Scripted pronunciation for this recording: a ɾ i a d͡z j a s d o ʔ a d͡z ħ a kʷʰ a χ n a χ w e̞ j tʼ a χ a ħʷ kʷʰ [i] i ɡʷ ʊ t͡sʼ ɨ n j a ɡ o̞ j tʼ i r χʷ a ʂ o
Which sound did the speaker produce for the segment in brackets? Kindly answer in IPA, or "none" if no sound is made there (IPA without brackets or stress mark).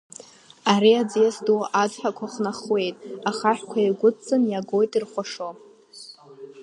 a